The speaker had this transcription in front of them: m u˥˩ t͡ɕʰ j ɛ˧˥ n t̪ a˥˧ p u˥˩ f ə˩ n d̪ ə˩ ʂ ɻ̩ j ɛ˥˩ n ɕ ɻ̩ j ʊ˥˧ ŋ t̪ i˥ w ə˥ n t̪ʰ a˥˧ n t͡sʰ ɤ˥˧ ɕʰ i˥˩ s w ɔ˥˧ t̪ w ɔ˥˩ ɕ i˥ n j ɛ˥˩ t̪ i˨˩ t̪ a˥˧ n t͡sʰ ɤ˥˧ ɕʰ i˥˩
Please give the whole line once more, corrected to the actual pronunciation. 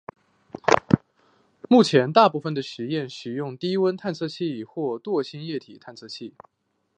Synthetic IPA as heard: m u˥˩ t͡ɕʰ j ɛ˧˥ n t̪ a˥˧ p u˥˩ f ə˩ n d̪ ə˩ ʂ ɻ̩ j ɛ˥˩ n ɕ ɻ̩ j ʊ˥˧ ŋ t̪ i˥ w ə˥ n t̪ʰ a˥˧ n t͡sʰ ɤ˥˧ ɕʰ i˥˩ x w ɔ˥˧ t̪ w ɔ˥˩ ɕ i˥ n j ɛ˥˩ t̪ʰ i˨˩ t̪ʰ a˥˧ n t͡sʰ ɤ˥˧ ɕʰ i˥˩

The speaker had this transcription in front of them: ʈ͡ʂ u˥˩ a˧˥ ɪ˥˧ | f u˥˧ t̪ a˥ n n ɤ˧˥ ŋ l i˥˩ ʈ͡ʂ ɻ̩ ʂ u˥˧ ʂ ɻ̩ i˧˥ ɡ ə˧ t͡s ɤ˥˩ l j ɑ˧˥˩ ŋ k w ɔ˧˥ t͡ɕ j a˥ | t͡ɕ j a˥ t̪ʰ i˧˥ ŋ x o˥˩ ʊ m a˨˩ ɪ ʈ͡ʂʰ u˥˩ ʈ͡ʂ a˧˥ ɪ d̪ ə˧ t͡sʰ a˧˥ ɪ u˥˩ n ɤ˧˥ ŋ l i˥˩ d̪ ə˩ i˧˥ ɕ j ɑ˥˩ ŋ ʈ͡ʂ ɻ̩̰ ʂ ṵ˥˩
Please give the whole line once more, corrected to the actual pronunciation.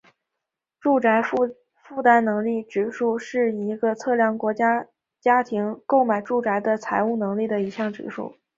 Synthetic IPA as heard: ʈ͡ʂ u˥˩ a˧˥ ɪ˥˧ | f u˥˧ t̪ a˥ n n ɤ˧˥ ŋ l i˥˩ ʈ͡ʂ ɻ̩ ʂ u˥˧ ʂ ɻ̩ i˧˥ ɡ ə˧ t͡sʰ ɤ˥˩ l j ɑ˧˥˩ ŋ k w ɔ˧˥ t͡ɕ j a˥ | t͡ɕ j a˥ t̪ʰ i˧˥ ŋ k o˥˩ ʊ m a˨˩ ɪ ʈ͡ʂ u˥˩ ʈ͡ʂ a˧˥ ɪ d̪ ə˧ t͡sʰ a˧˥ ɪ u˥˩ n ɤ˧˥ ŋ l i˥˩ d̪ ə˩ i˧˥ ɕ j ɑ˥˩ ŋ ʈ͡ʂ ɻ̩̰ ʂ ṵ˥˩

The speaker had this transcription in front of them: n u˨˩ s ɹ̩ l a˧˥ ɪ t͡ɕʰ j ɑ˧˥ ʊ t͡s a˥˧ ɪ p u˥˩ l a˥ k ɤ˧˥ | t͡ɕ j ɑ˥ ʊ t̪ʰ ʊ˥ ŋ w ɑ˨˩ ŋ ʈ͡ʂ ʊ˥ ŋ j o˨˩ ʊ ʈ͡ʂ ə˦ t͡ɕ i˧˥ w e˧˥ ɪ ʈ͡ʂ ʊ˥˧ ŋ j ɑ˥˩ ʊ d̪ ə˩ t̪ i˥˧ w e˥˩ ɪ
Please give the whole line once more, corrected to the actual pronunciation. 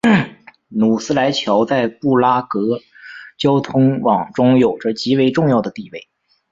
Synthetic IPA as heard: n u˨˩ s ɹ̩ l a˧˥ ɪ t͡ɕʰ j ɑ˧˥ ʊ t͡s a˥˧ ɪ p u˥˩ l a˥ k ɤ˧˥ | t͡ɕ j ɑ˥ ʊ t̪ʰ ʊ˥ ŋ w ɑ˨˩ ŋ ʈ͡ʂ ʊ˥ ŋ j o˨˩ ʊ ʈ͡ʂ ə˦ t͡ɕ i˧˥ w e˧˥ ɪ ʈ͡ʂ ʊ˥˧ ŋ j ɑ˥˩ ʊ d̪ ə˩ t̪ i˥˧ w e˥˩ ɪ

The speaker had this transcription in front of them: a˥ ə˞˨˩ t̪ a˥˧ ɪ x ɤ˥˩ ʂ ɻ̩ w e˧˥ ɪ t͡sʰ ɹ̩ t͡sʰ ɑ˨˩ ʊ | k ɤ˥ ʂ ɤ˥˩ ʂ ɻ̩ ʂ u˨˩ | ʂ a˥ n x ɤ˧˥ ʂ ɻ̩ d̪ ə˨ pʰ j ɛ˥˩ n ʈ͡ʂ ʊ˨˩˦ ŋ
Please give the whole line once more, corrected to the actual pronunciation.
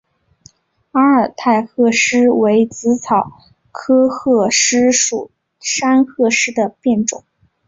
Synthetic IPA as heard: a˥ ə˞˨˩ t̪ʰ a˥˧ ɪ x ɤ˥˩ ʂ ɻ̩ w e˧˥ ɪ t͡s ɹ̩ t͡sʰ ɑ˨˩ ʊ | kʰ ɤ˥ x ɤ˥˩ ʂ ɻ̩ ʂ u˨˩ | ʂ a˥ n x ɤ˥˧ ʂ ɻ̩ d̪ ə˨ p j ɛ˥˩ n ʈ͡ʂ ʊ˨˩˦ ŋ

